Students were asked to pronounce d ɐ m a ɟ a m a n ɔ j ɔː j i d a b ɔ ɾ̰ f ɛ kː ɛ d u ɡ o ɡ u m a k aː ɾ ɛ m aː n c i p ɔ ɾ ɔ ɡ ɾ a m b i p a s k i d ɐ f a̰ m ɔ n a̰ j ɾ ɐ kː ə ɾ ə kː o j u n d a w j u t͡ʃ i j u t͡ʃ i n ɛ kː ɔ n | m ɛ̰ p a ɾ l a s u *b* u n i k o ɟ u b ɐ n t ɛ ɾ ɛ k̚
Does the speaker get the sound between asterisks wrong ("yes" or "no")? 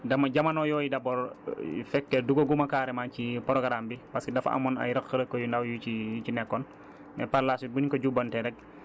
no